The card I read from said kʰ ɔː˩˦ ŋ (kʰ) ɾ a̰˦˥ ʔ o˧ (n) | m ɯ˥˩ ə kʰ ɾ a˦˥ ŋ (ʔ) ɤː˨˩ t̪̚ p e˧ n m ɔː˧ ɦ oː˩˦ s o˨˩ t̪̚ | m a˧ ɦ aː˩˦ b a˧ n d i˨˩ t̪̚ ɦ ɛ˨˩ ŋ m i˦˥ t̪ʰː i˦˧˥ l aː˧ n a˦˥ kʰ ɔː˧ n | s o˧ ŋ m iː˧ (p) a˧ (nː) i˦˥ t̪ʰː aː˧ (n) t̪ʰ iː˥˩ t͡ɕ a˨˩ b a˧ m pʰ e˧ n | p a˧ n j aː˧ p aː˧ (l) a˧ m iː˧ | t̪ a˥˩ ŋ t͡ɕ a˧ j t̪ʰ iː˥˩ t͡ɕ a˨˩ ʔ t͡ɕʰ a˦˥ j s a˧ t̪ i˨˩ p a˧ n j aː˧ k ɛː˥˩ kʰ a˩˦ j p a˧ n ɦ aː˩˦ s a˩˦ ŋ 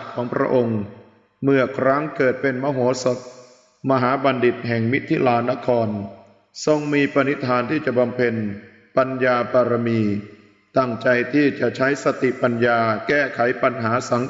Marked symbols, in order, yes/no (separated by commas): no, no, no, yes, no, yes, no